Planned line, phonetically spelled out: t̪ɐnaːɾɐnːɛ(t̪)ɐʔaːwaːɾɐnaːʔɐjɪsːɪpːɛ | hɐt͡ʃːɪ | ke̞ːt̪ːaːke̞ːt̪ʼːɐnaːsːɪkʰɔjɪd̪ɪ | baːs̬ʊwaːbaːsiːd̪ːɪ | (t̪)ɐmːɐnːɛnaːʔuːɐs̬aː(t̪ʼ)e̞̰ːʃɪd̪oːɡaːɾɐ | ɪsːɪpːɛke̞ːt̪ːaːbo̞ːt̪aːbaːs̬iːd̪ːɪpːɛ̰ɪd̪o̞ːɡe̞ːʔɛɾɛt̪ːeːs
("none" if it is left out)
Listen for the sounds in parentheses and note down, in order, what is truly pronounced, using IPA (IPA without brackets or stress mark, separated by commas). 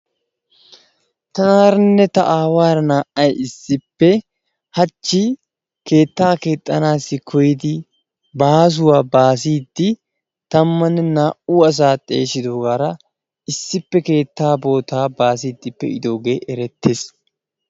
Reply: t̪, t̪, t̪ʼ